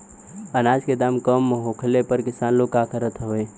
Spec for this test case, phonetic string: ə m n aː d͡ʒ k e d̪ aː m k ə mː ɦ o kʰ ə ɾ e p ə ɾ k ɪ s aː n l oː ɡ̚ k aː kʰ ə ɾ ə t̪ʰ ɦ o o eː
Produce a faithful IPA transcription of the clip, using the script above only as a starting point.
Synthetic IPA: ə n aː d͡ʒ k e d̪ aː m k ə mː ɦ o kʰ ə l e p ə ɾ k ɪ s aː n l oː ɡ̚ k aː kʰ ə ɾ ə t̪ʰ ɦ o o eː

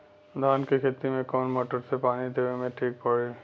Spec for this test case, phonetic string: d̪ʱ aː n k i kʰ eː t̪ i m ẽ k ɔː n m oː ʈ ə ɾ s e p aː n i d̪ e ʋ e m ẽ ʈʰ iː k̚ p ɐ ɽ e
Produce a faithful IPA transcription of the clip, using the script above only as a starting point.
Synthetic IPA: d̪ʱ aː n k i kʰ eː t̪ i m ẽ k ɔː n m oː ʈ ə ɾ s e p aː n i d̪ e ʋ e m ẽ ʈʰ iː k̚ p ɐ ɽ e

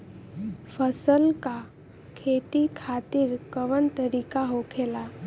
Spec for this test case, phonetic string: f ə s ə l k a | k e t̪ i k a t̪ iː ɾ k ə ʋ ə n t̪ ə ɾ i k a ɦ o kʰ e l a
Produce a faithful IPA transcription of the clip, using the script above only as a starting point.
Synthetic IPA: f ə s ə l k a | kʰ e t̪ i kʰ a t̪ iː ɾ k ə ʋ ə n t̪ ə ɾ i k a ɦ o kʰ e l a

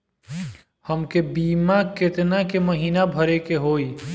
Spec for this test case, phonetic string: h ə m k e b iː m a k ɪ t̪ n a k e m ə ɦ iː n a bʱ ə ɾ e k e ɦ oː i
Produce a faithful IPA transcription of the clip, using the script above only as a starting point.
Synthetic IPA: h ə m k e b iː m a k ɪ t̪ n a k e m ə ɦ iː n a bʱ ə ɾ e k e ɦ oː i

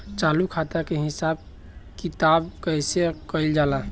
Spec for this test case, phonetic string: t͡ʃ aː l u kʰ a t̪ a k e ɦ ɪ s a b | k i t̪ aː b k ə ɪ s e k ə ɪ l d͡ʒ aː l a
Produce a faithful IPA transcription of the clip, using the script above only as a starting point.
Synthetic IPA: t͡ʃ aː l u kʰ a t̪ a k e ɦ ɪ s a b | k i t̪ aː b k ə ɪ s e k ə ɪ l d͡ʒ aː l a

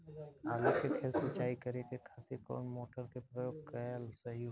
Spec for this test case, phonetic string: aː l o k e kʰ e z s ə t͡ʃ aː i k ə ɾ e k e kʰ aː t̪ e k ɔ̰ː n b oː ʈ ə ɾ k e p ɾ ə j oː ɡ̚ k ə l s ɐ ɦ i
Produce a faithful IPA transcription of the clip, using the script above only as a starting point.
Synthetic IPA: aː l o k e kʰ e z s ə t͡ʃ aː i k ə ɾ e k e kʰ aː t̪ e k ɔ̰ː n m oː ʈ ə ɾ k e p ɾ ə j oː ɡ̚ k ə l s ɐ ɦ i

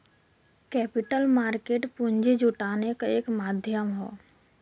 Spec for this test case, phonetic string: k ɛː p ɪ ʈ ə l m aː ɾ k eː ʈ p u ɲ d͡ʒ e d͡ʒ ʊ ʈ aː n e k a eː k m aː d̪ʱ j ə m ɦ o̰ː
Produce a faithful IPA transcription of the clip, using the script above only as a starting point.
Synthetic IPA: k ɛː p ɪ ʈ ə l m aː ɾ k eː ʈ p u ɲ d͡ʒ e d͡ʒ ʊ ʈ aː n e k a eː k m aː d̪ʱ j ə m ɦ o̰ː

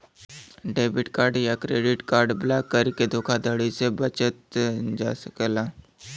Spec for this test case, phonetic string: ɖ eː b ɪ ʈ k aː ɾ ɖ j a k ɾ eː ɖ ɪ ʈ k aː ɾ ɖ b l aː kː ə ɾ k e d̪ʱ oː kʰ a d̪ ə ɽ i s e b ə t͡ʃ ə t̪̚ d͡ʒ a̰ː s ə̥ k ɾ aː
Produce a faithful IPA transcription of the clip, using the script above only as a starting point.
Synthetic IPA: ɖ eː b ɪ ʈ k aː ɾ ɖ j a k ɾ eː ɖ ɪ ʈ k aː ɾ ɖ b l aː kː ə ɾ k e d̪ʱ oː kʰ a d̪ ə ɽ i s e b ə t͡ʃ ə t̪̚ d͡ʒ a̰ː s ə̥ k l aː

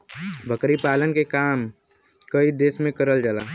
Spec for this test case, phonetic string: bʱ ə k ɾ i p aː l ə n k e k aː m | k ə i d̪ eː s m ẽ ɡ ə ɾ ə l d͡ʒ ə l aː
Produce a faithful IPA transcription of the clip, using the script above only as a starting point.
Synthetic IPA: bʱ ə k ɾ i p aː l ə n k e k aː m | k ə i d̪ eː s m ẽ k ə ɾ ə l d͡ʒ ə l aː

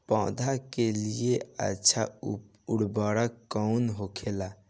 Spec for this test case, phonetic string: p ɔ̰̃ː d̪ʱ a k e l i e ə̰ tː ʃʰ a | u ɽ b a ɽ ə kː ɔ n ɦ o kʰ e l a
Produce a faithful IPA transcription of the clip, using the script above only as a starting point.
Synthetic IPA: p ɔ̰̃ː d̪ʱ a k e l i e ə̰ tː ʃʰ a | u ɽ b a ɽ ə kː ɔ n ɦ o kʰ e l a

